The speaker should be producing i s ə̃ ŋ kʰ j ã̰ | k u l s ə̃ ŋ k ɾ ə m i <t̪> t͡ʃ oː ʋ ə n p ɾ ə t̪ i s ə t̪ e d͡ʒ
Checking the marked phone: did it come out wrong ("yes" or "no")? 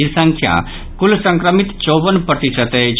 no